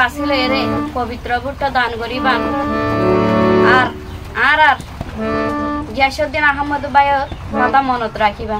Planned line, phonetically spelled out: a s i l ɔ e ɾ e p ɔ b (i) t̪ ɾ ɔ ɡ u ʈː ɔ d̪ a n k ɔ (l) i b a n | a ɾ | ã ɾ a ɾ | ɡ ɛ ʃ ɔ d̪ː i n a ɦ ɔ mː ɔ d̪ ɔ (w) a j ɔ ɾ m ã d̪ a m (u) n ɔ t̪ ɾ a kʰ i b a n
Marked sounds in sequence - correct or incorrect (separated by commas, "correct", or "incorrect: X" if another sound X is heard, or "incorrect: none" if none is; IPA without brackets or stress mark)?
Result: correct, incorrect: ɾ, incorrect: b, incorrect: ɔ